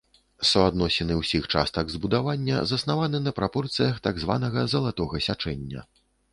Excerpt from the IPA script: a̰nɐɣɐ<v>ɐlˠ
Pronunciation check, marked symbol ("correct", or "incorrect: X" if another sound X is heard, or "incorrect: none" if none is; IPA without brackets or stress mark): incorrect: z